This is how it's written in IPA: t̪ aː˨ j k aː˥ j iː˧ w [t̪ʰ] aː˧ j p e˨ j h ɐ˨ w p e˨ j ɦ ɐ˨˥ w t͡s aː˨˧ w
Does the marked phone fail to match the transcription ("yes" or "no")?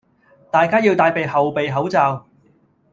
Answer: yes